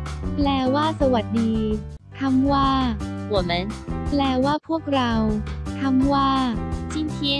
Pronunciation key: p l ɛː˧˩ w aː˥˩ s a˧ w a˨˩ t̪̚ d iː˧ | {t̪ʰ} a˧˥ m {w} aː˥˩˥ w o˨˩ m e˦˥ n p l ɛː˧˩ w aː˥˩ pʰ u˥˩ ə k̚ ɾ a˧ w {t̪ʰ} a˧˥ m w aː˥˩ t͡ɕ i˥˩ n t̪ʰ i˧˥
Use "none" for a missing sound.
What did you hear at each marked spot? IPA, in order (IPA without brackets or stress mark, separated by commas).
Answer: t̪ʰ, w, t̪ʰ